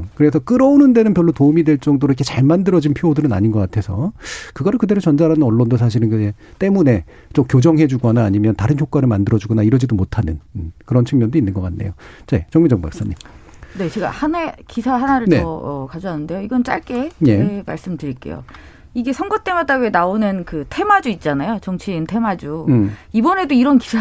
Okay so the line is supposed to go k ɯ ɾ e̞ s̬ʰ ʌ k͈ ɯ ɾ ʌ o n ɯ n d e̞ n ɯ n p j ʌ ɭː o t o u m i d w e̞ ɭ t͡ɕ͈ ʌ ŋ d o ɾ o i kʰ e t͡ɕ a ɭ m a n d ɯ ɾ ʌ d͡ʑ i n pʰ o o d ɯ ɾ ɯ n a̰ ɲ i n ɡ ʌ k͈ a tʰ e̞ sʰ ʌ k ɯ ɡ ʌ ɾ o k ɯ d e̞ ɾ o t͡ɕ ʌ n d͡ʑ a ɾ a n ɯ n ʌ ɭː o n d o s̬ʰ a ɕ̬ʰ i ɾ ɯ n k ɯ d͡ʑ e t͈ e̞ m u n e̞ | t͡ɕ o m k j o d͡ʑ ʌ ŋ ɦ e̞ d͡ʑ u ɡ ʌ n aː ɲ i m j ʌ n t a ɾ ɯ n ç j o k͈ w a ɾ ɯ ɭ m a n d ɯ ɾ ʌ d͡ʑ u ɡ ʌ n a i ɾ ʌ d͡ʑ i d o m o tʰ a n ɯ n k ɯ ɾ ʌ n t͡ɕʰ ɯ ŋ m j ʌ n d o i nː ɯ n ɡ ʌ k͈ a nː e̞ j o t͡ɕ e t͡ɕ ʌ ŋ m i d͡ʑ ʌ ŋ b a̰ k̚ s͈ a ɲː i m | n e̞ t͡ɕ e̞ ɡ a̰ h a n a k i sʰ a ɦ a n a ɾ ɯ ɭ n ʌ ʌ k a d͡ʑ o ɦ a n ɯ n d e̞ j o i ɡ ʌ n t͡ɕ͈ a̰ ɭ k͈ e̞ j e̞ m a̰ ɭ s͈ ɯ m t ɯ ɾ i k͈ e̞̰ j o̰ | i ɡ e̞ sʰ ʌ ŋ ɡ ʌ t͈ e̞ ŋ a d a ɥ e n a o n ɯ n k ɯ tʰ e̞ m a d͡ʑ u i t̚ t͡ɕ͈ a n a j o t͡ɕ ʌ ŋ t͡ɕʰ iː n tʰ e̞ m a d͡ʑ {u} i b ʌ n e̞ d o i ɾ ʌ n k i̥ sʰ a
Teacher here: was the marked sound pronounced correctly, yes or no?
yes